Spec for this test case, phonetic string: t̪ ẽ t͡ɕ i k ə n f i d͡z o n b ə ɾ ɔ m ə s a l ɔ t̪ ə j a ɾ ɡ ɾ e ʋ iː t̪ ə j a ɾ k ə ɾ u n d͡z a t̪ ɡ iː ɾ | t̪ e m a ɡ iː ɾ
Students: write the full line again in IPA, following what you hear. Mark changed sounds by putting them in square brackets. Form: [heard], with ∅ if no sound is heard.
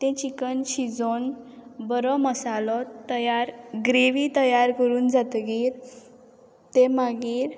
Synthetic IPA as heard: t̪ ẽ t͡ɕ i k ə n [ɕ] i d͡z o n b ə ɾ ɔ m ə s a l ɔ t̪ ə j a ɾ ɡ ɾ e ʋ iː t̪ ə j a ɾ k ə ɾ [uː] n d͡z a t̪ ɡ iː ɾ | t̪ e m a ɡ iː ɾ

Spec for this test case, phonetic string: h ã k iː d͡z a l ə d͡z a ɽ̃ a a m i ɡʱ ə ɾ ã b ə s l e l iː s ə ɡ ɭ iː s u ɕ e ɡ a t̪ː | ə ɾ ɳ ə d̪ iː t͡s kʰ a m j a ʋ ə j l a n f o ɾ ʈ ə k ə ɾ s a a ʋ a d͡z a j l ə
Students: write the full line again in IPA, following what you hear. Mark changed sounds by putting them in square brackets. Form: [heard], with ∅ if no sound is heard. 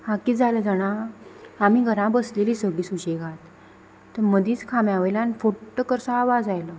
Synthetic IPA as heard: h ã k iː d͡z a l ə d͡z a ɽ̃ a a m i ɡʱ ə ɾ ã b ə s l e l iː s ə ɡ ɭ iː s u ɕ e ɡ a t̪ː | ə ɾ [m] ə d̪ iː t͡s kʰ a m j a ʋ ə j l a n f o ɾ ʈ ə k ə ɾ s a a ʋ a d͡z a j l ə

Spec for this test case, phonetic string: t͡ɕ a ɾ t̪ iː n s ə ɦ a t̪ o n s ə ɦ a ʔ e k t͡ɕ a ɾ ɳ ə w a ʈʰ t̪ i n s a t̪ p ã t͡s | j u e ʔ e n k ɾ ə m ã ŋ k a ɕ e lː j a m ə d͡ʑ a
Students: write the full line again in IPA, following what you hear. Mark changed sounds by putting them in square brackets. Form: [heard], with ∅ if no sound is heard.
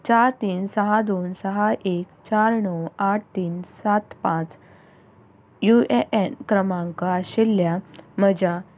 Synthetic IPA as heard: t͡ɕ a ɾ t̪ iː n s ə ɦ a [d̪] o n s ə ɦ a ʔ e k t͡ɕ a ɾ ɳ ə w a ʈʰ t̪ [iː] n s a t̪ p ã t͡s | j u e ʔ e n k ɾ ə m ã ŋ k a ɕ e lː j a m ə d͡ʑ a

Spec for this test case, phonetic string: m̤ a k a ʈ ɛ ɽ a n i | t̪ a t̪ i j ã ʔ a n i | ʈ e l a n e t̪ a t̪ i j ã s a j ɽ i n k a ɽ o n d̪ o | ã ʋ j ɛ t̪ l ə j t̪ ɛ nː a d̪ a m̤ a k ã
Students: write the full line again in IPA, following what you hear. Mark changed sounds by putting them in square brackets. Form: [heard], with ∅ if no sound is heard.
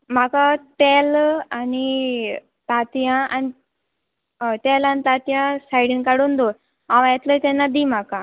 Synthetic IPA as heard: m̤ a k a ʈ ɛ [l] a n i | t̪ a t̪ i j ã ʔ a n i | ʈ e l a n [i] t̪ a t̪ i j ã s a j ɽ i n k a ɽ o n d̪ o | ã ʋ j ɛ t̪ l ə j t̪ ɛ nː a d̪ [i] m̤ a k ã

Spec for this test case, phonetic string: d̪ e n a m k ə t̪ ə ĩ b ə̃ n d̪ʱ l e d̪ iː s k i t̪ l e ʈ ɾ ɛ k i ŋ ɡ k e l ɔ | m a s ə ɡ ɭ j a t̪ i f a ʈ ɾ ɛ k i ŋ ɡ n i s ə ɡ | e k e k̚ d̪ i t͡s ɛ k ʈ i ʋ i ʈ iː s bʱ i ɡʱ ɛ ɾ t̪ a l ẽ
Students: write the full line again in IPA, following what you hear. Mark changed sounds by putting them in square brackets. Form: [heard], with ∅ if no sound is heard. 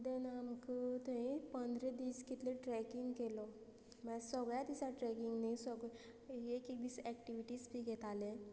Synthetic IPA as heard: d̪ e n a m k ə t̪ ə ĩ [p] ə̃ n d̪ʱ [ɾ] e d̪ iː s k i t̪ l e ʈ ɾ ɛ k i ŋ ɡ k e l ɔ | m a s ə ɡ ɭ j a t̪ i [s] a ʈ ɾ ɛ k i ŋ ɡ n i s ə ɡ | e k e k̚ d̪ i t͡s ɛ k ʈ i ʋ i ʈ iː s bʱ i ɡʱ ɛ [∅] t̪ a l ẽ

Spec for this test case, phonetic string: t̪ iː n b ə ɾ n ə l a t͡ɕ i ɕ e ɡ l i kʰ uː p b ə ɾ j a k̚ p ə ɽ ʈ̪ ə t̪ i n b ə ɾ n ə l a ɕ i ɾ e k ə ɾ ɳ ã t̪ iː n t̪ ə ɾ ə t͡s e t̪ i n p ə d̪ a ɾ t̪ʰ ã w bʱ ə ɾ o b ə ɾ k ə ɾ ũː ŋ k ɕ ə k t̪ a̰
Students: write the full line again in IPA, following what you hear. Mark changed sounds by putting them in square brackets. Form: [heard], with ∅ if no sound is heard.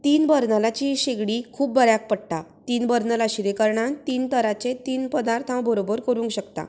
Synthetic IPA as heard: t̪ iː n b ə ɾ n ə l a t͡ɕ i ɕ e ɡ [ɽ] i kʰ uː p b ə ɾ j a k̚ p ə ɽ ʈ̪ [a] t̪ [iː] n b ə ɾ n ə l a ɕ i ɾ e k ə ɾ ɳ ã t̪ iː n t̪ ə ɾ [a] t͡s e t̪ [iː] n p ə d̪ a ɾ t̪ʰ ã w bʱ ə ɾ o b ə ɾ k ə ɾ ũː ŋ k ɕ ə k t̪ a̰

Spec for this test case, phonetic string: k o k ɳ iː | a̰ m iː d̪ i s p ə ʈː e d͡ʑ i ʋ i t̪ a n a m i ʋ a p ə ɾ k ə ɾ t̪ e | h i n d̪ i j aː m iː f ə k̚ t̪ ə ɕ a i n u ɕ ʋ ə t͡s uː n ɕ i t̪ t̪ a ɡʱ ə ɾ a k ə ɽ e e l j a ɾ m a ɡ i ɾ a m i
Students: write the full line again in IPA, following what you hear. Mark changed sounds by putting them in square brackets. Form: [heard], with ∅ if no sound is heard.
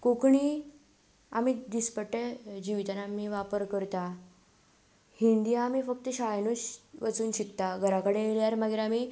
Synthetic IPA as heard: k o k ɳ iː | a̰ m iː d̪ i s p ə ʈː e d͡ʑ i ʋ i t̪ a n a m i ʋ a p ə ɾ k ə ɾ t̪ [a] | h i n d̪ i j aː m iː f ə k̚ t̪ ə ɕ a [j] n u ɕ ʋ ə t͡s uː n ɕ i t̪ t̪ a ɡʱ ə ɾ a k ə ɽ e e l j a ɾ m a ɡ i ɾ a m i

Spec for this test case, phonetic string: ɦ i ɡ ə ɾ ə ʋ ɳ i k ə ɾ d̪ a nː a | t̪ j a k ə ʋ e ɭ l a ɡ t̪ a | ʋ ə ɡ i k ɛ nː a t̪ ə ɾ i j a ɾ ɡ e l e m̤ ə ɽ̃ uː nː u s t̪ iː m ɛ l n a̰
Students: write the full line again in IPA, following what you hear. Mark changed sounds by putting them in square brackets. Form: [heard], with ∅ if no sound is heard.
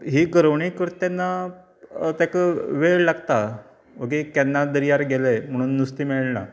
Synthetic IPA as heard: ɦ i ɡ ə ɾ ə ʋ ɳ i k ə ɾ [t̪] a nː a | t̪ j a k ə ʋ e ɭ l a ɡ t̪ a | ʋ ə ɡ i k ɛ nː a [d̪] ə ɾ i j a ɾ ɡ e l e m̤ ə ɽ̃ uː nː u s t̪ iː m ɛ [ɭ] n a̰

